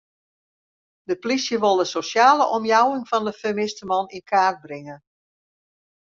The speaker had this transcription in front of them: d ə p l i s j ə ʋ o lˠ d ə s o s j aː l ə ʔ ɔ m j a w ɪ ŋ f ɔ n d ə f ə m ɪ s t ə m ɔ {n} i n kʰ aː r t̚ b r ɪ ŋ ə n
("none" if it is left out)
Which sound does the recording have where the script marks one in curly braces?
n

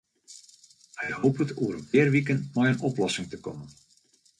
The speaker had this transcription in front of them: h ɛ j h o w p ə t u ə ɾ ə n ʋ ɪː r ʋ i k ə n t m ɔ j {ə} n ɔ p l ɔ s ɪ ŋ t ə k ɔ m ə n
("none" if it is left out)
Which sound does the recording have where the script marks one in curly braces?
ə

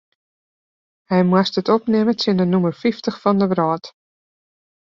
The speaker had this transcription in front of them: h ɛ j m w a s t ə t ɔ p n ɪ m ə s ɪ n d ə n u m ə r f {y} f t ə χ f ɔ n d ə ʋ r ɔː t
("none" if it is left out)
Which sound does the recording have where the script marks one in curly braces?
i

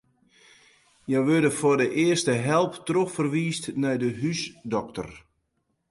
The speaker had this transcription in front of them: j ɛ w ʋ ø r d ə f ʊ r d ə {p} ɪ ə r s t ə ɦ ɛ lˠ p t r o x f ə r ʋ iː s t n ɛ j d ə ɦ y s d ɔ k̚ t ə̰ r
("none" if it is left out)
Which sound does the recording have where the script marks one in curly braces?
ʔ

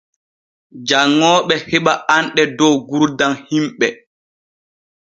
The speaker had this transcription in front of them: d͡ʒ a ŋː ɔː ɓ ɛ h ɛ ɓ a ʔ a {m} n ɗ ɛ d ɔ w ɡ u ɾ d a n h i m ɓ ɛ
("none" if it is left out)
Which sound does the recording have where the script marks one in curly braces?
none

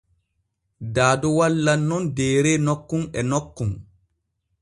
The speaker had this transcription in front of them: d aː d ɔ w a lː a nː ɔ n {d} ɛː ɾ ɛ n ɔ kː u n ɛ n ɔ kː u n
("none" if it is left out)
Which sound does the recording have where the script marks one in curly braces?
d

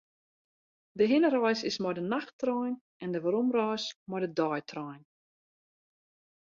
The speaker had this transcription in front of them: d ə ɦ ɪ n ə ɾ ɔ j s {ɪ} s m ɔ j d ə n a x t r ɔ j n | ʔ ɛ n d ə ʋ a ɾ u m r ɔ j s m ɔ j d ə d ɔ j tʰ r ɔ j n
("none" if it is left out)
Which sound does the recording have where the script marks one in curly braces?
ɪ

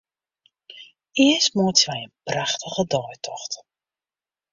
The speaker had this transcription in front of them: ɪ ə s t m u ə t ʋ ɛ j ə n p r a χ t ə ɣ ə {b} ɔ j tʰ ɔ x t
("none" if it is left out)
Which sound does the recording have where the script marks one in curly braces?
d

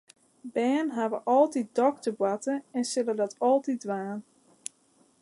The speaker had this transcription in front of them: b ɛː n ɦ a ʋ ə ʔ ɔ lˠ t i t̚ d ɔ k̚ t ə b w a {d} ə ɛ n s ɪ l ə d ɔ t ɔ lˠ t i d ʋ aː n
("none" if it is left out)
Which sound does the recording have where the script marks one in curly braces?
t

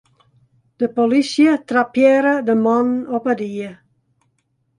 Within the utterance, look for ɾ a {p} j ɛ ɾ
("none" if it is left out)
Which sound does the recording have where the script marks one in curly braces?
p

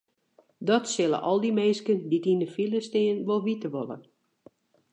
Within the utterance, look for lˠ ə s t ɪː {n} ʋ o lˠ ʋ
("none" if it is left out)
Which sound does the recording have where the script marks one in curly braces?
n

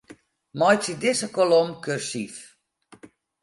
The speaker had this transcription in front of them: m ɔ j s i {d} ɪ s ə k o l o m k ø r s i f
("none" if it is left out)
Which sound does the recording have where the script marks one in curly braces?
d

